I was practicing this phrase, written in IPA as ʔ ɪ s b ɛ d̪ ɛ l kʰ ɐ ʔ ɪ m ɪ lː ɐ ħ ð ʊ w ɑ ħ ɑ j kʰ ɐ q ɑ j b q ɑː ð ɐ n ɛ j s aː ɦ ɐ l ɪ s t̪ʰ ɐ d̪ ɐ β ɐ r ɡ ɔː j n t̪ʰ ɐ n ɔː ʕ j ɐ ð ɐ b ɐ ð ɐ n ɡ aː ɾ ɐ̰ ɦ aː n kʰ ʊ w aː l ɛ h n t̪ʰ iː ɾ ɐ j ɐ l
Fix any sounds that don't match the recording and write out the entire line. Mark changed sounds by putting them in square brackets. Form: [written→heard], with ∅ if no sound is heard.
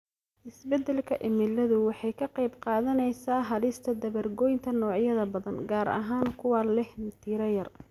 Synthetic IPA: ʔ ɪ s b ɛ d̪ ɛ l kʰ ɐ ʔ ɪ m ɪ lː ɐ [ħ→∅] ð ʊ w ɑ ħ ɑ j kʰ ɐ q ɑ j b q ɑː ð ɐ n ɛ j s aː ɦ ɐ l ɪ s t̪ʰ ɐ d̪ ɐ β ɐ r ɡ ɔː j n t̪ʰ ɐ n ɔː ʕ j ɐ ð ɐ b ɐ ð ɐ n ɡ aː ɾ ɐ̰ ɦ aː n kʰ ʊ w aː l ɛ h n t̪ʰ iː ɾ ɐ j ɐ [l→r]